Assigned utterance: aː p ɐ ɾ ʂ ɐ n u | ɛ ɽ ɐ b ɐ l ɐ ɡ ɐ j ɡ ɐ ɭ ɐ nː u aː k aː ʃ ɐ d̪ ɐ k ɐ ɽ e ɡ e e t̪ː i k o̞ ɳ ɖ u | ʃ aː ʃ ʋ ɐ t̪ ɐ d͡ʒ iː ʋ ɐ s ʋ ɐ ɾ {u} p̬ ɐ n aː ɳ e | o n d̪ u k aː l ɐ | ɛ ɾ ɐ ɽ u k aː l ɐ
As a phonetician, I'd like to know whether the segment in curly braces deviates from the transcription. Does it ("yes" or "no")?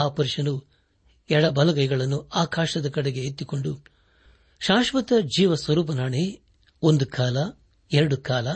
yes